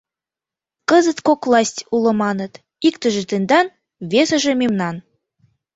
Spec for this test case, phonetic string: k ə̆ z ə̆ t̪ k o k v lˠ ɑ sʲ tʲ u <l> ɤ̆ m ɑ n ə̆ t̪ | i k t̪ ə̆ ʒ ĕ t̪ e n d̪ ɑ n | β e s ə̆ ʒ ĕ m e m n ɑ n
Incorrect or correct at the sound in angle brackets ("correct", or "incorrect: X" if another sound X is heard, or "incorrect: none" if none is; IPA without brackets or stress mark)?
correct